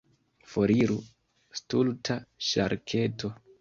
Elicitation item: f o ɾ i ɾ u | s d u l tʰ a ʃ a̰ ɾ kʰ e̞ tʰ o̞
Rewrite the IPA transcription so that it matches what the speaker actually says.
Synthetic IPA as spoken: f o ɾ i ɾ u | s t u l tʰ a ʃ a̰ ɾ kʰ e̞ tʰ o̞